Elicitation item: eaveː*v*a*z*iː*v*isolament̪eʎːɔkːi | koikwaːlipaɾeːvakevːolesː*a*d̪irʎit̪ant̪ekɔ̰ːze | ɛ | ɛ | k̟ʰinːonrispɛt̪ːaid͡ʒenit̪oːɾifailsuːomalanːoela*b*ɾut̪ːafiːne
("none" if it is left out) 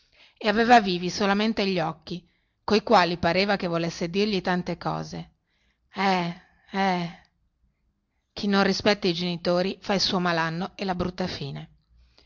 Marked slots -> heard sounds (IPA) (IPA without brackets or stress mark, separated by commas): v, v, v, e, b